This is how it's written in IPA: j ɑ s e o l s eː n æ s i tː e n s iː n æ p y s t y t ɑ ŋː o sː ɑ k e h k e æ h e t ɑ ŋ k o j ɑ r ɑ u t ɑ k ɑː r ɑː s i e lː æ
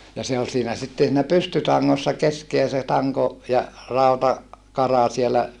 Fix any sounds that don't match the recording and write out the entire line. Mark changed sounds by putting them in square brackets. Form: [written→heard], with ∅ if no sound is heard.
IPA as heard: j ɑ s e o l s [eː→iː] n æ s i tː e n s iː n æ p y s t y t ɑ ŋː o sː ɑ k e [h→s] k e æ [h→s] e t ɑ ŋ k o j ɑ r ɑ u t ɑ k [ɑː→ɑ] r [ɑː→ɑ] s i e [lː→l] æ